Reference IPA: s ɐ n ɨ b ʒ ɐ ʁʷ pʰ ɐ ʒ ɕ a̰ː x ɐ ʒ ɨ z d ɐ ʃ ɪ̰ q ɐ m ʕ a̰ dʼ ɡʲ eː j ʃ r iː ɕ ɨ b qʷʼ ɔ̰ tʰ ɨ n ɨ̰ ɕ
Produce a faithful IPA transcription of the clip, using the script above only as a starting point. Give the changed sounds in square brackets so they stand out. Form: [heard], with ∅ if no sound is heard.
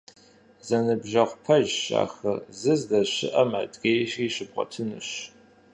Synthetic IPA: [z] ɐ n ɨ b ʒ ɐ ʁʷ pʰ ɐ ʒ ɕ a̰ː x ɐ [z] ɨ z d ɐ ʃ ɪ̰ [ʔ] ɐ m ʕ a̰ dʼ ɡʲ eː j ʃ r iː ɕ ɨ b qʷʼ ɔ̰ tʰ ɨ n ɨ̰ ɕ